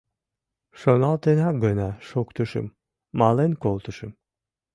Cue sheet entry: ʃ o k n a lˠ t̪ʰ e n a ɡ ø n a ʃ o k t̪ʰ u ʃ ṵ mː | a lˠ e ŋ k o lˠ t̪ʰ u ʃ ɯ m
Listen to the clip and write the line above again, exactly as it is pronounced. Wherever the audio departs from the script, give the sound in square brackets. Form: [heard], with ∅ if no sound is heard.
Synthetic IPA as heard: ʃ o [∅] n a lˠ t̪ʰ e n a ɡ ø n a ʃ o k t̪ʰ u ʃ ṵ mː | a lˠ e [n] k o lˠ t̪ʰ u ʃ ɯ m